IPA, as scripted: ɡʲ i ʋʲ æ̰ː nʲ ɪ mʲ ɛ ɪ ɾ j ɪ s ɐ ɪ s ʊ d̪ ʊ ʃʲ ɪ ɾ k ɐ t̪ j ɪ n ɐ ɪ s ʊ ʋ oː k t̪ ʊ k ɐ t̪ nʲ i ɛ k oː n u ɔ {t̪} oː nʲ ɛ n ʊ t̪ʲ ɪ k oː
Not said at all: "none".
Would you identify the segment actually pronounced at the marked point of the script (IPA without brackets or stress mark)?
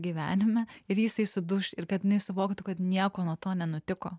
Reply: t̪